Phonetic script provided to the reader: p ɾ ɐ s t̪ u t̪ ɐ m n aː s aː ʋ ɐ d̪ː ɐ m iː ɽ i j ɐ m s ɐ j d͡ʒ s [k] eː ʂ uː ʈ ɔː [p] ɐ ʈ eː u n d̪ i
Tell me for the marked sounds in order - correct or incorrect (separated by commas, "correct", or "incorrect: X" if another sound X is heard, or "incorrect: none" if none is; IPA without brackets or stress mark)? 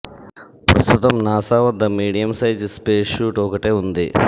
incorrect: p, incorrect: k